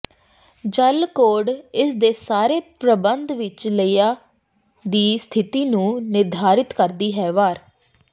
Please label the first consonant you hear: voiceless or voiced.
voiced